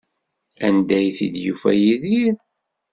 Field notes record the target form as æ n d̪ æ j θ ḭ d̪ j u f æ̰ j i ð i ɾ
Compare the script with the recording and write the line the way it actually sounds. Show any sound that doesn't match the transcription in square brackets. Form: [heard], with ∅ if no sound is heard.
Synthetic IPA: æ n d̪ æ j θ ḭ d̪ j u f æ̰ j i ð i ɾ